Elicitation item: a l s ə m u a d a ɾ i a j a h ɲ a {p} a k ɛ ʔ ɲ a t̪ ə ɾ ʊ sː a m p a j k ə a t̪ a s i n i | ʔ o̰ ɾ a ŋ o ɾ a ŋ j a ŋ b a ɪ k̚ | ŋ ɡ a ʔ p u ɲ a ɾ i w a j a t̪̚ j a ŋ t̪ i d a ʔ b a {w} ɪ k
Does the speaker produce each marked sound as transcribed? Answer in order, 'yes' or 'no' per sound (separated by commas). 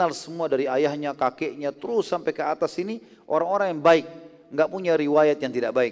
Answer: no, no